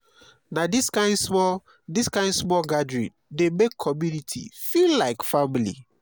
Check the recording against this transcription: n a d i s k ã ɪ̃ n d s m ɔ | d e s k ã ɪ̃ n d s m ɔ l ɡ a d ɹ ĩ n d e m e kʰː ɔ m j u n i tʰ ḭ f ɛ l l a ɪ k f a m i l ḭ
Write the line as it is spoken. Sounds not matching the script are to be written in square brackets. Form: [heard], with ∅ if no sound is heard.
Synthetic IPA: n a d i s k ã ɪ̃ n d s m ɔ | d [i] s k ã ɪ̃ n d s m ɔ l ɡ a d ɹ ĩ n d e m e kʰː ɔ m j u n i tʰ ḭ f [i] l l a ɪ k f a m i l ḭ

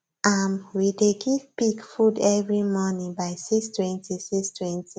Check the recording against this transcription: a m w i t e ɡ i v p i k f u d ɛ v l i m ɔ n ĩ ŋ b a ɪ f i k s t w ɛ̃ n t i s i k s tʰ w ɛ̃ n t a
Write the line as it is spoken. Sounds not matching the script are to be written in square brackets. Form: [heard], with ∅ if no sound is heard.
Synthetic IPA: a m w i [d] e ɡ i v p i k f u d ɛ v [ɹ] i m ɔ n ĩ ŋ b a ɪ [s] i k s t w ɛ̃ n t i s i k s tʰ w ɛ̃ n t [i]

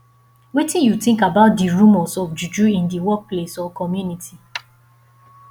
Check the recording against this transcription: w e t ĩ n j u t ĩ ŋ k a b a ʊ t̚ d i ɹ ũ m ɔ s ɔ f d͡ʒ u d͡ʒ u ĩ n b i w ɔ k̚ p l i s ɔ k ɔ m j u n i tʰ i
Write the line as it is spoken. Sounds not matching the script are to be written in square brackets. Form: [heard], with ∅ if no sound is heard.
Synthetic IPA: w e t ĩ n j u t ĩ ŋ k a b a ʊ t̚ d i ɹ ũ m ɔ s ɔ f d͡ʒ u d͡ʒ u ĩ n [d] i w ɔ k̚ p l [e] s ɔ k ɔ m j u n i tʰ i

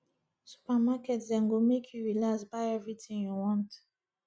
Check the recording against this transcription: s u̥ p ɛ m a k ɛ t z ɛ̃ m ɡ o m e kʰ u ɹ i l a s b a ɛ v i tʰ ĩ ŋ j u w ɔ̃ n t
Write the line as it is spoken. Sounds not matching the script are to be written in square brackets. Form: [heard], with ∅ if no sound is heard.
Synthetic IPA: s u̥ p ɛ m a k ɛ t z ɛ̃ [ŋ] ɡ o m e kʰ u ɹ i l a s b a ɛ v i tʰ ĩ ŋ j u w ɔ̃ n t

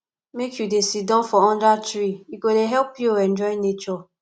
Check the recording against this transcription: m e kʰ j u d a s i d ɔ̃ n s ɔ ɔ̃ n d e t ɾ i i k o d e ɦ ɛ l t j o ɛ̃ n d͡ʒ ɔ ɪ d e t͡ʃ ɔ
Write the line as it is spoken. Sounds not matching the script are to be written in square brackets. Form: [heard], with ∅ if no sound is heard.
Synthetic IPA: m e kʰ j u d [e] s i d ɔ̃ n [f] ɔ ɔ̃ n d [a] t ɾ i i k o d e ɦ ɛ l [p] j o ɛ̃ n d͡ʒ ɔ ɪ [n] e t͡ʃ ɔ

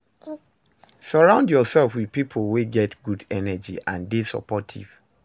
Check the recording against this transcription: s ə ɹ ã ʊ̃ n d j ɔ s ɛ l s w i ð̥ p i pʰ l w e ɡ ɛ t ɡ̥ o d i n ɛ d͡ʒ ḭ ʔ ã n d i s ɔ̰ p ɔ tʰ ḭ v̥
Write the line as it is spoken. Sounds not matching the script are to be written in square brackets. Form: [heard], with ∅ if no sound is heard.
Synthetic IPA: s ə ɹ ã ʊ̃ n d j ɔ s ɛ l [f] w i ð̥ p i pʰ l w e ɡ ɛ t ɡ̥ [u] d [ɛ] n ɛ d͡ʒ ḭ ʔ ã n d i s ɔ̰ p ɔ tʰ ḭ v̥

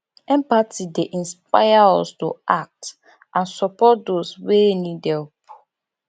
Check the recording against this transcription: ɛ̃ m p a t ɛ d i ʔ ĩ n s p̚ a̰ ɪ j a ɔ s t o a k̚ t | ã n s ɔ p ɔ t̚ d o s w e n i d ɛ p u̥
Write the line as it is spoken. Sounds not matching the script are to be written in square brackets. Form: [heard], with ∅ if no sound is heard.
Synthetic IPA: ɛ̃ m p a t [i] d [e] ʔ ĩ n s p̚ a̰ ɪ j a ɔ s t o a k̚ t | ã n s ɔ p ɔ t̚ d o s w e n i d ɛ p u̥

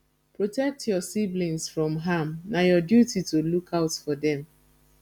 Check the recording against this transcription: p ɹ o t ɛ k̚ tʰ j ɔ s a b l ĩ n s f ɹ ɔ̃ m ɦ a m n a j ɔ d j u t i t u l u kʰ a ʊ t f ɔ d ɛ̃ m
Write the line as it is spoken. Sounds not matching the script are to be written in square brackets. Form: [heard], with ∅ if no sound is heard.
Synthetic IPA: p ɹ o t ɛ k̚ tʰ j ɔ s [i] b l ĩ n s f ɹ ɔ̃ m ɦ a m n a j ɔ d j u t i t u l u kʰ a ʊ t f ɔ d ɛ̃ m

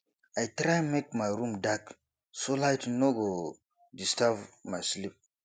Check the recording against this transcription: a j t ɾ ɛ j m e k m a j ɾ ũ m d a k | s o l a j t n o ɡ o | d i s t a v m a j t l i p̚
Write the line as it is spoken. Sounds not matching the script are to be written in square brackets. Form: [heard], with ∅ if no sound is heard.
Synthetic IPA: a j t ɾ [a] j m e k m a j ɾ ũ m d a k | s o l a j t n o ɡ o | d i s t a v m a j [s] l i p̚

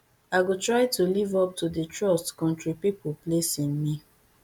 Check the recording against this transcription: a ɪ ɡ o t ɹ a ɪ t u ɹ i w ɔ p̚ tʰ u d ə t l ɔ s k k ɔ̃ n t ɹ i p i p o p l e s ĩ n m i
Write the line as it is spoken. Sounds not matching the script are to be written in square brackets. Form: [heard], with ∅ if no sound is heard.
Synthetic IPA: a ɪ ɡ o t ɹ a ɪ t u [l] i [v] ɔ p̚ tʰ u d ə t [ɹ] ɔ s [t] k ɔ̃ n t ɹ i p i p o p l e s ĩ n m i

